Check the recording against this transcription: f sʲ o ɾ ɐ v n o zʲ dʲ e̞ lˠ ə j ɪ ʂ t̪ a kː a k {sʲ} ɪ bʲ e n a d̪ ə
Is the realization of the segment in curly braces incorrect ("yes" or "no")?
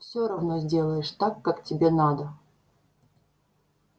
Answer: yes